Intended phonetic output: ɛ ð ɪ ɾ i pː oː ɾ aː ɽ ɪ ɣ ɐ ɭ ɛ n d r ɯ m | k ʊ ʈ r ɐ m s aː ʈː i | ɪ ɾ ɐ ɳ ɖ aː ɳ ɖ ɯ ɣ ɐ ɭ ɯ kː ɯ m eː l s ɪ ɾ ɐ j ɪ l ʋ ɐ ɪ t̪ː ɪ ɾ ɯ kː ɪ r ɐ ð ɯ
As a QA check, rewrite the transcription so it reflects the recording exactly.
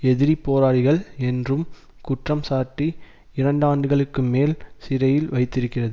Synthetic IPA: ɛ ð ɪ ɾ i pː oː ɾ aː ɽ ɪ ɣ ɐ ɭ ɛ n d r ɯ m | k ʊ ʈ r ɐ m s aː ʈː i | ɪ ɾ ɐ ɳ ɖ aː ɳ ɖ ɯ ɣ ɐ ɭ ɯ kː ɯ m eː l s ɪ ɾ ɐ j ɪ l ʋ ɐ ɪ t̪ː ɪ ɾ ɯ kː ɪ r ɐ ð ɯ